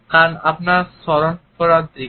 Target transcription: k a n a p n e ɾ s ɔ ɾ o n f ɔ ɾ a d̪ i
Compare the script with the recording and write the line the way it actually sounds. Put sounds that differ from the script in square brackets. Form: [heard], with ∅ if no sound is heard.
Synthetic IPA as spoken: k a n a p n [a] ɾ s ɔ ɾ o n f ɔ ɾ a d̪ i